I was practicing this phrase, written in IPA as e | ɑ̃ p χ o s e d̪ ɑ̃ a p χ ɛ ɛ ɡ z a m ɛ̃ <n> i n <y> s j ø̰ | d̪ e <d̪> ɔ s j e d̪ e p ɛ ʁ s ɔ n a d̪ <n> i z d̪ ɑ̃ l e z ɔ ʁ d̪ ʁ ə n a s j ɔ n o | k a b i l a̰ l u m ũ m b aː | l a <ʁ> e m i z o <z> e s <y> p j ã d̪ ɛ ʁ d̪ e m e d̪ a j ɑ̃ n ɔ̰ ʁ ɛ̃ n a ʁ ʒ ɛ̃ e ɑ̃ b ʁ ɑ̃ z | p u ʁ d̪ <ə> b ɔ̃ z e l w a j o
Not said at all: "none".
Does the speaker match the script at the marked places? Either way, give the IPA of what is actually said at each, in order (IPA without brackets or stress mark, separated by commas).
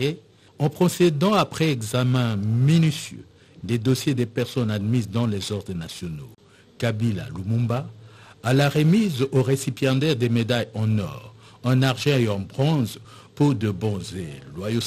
m, y, d̪, m, ʁ, ʁ, i, ə